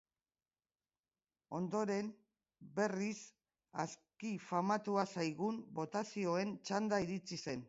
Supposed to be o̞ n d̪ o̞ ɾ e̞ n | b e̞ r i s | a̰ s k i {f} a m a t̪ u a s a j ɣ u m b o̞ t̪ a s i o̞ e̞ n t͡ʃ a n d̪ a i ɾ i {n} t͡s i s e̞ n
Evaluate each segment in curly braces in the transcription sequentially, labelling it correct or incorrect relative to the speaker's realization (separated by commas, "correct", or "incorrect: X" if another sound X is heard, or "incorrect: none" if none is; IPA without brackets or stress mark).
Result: correct, incorrect: none